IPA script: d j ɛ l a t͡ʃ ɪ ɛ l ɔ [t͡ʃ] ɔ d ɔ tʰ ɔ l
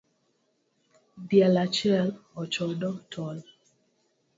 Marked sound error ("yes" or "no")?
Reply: no